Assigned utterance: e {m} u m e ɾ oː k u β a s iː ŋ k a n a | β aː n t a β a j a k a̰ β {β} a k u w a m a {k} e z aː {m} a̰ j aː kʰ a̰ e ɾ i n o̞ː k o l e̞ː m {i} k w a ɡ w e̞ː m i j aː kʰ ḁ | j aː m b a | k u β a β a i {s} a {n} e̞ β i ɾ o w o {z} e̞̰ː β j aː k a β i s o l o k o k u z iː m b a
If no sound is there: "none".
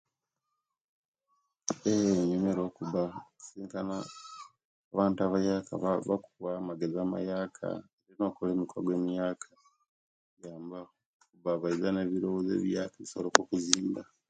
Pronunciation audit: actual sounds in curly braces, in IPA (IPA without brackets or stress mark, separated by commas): ɲ, β, ɡ, m, i, z, n, z